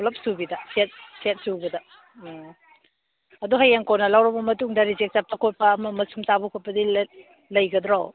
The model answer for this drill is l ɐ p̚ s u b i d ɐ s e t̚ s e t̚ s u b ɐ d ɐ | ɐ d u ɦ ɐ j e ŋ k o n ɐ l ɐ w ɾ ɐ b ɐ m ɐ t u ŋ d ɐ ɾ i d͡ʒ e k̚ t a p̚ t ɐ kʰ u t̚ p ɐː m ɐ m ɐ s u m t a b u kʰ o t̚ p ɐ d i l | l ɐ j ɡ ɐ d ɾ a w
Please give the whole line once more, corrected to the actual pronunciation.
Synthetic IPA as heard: l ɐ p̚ s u b i d ɐ s e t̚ s e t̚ s u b ɐ d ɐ | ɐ d u ɦ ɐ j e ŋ k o n ɐ l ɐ w ɾ ɐ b ɐ m ɐ t u ŋ d ɐ ɾ i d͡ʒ e k̚ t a p̚ t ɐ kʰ o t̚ p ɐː m ɐ m ɐ s u m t a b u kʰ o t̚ p ɐ d i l | l ɐ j ɡ ɐ d ɾ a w